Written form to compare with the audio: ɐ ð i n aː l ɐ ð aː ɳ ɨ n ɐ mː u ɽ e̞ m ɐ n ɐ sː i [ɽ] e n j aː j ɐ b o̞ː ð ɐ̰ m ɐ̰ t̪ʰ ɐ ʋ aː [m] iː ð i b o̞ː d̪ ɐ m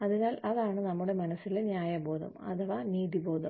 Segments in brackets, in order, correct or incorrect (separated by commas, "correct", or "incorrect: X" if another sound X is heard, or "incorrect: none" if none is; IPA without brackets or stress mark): incorrect: l, incorrect: n